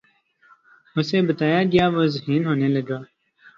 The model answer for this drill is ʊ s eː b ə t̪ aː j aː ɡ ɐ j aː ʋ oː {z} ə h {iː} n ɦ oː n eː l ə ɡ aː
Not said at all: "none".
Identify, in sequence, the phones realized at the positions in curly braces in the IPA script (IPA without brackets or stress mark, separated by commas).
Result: z, iː